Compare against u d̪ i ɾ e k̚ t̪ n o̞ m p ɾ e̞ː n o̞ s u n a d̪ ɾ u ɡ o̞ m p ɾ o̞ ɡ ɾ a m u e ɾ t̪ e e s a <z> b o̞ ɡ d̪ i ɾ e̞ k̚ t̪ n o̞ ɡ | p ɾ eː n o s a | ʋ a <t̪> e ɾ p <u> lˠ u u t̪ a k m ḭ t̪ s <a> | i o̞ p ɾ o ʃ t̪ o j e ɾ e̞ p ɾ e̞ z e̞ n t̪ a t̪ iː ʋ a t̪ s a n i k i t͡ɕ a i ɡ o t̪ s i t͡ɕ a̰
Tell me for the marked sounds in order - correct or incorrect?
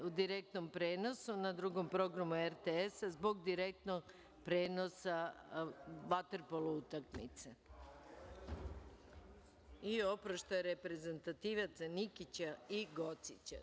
correct, correct, incorrect: o, incorrect: e

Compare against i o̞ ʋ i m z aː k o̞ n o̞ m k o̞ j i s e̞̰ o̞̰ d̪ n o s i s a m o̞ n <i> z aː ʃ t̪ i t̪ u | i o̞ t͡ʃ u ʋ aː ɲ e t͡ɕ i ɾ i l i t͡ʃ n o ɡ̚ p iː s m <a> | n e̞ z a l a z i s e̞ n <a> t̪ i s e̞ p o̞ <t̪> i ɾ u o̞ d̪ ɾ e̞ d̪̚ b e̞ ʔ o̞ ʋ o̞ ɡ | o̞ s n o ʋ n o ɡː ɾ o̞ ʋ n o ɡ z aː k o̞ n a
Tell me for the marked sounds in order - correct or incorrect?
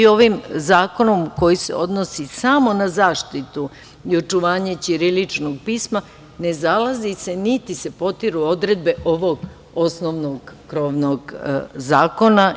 incorrect: a, correct, incorrect: i, correct

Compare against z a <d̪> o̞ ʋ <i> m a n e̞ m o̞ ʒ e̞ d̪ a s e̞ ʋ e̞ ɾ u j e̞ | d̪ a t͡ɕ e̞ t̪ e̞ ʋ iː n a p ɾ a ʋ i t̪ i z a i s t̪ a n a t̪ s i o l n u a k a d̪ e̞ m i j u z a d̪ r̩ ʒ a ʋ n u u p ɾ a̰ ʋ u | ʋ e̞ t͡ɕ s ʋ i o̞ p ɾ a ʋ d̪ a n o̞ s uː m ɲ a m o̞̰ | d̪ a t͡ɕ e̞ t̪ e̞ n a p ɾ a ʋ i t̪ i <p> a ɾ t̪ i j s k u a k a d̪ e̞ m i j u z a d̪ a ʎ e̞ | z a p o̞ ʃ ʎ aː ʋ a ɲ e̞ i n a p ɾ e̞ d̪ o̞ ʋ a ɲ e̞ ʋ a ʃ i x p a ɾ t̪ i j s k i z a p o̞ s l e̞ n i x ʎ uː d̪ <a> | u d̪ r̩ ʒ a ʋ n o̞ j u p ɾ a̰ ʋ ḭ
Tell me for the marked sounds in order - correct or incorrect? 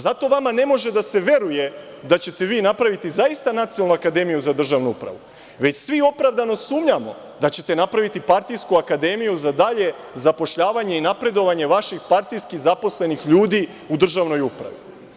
incorrect: t̪, incorrect: a, correct, incorrect: i

